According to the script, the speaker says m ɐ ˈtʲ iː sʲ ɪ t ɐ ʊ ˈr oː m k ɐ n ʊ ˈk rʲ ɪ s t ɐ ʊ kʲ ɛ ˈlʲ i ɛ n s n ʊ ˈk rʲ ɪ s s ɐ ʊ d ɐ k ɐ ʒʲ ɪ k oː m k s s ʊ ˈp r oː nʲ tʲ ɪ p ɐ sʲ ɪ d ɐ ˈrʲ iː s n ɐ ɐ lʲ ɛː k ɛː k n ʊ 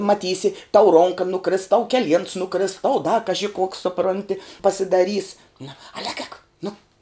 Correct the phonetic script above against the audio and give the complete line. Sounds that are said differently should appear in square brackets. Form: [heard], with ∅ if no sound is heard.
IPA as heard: m ɐ ˈtʲ iː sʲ ɪ t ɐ ʊ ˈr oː [ŋ] k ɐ n ʊ ˈk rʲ ɪ s t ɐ ʊ kʲ ɛ ˈlʲ i ɛ n s n ʊ ˈk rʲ ɪ s [t] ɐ ʊ d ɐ k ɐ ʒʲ ɪ k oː [∅] k s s ʊ ˈp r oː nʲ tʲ ɪ p ɐ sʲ ɪ d ɐ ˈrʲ iː s n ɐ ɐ lʲ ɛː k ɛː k n ʊ